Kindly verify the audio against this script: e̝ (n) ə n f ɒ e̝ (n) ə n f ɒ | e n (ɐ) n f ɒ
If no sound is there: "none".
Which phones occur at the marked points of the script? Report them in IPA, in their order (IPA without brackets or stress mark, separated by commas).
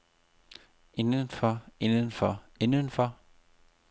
n, n, ə